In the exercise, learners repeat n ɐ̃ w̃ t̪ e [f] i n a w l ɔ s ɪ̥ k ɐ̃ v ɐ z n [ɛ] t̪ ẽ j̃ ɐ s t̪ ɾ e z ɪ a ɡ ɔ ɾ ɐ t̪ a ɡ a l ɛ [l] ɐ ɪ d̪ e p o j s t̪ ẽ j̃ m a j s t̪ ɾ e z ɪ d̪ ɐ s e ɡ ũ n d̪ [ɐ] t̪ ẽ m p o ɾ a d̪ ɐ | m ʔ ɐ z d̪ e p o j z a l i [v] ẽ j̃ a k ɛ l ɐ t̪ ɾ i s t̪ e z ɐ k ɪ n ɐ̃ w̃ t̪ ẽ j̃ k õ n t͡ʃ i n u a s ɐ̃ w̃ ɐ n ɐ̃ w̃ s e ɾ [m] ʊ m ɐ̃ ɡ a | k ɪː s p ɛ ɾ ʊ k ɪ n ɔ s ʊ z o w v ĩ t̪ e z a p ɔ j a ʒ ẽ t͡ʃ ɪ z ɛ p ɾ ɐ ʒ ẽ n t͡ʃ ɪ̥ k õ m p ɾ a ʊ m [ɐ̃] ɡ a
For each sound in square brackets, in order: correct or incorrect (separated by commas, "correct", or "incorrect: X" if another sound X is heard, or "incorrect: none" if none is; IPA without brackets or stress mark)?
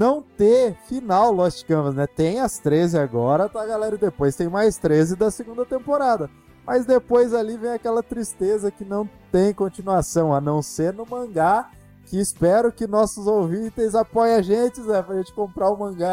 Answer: correct, correct, incorrect: ɾ, correct, correct, incorrect: n, correct